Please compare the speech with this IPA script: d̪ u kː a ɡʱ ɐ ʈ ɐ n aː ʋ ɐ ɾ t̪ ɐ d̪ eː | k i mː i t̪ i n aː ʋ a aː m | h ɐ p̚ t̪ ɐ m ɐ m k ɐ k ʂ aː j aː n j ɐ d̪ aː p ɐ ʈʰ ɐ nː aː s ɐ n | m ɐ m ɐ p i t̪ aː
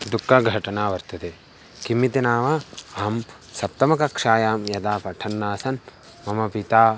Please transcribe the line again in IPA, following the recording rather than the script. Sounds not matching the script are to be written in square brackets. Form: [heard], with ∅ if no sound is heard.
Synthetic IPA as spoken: d̪ u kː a ɡʱ ɐ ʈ ɐ n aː ʋ ɐ ɾ t̪ ɐ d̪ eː | k i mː i t̪ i n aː ʋ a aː m | [s] ɐ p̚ t̪ ɐ m ɐ [∅] k ɐ k ʂ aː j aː [m] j ɐ d̪ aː p ɐ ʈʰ ɐ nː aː s ɐ n | m ɐ m ɐ p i t̪ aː